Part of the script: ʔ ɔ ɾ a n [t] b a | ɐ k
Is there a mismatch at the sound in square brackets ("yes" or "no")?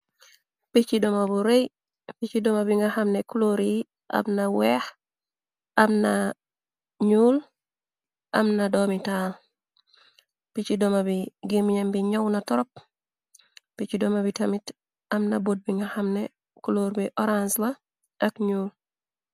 yes